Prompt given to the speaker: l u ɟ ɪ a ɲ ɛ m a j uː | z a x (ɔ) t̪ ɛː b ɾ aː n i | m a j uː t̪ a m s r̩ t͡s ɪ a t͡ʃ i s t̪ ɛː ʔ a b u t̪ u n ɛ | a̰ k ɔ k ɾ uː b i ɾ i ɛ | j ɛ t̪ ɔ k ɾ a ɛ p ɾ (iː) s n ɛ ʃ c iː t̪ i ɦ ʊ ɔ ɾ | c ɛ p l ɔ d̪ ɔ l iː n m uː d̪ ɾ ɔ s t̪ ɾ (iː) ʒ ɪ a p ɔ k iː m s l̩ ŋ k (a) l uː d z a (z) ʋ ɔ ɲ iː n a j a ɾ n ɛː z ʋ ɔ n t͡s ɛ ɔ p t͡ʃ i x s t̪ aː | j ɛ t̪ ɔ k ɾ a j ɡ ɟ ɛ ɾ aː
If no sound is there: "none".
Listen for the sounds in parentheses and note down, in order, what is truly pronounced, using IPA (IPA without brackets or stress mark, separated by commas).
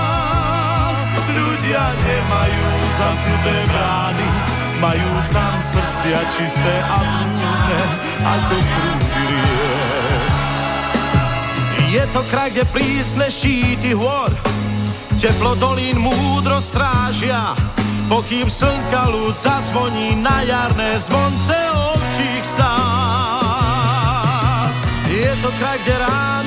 u, iː, aː, a, z